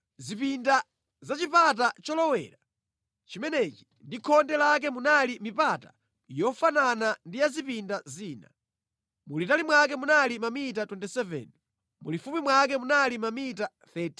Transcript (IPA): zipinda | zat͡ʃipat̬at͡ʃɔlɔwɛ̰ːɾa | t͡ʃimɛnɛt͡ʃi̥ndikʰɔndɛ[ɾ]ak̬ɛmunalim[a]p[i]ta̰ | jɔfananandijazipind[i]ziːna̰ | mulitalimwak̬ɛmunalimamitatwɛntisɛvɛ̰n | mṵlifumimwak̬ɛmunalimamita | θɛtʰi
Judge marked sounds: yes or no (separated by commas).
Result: no, no, no, no